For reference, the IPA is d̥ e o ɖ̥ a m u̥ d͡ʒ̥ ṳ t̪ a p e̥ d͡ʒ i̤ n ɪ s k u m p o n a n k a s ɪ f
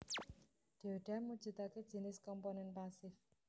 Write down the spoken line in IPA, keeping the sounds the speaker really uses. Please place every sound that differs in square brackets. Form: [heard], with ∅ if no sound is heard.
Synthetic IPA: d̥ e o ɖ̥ a m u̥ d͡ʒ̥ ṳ t̪ a [k] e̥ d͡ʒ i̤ n ɪ s k [ɔ] m p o n [ɛ] n [p] a s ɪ f